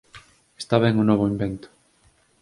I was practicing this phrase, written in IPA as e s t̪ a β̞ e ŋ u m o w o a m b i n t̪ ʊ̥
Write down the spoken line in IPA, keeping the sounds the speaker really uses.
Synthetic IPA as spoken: e s t̪ a β̞ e ŋ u n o β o i m b e n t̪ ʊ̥